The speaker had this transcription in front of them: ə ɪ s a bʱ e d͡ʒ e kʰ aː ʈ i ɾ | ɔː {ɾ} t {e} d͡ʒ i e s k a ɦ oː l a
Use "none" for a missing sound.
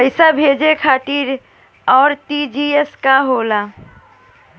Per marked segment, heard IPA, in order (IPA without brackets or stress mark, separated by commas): ɾ, i